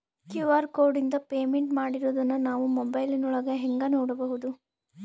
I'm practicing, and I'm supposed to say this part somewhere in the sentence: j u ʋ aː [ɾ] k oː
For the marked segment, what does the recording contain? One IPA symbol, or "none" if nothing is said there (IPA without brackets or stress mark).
ɾ